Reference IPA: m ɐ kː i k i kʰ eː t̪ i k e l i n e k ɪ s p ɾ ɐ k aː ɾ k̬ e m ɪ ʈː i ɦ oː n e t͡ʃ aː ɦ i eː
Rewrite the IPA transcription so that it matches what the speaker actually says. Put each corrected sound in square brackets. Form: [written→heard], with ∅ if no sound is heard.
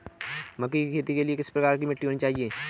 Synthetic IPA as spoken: m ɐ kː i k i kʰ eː t̪ i k e l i [n→∅] e k ɪ s p ɾ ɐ k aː ɾ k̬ [e→i] m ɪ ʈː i ɦ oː n [e→i] t͡ʃ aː ɦ i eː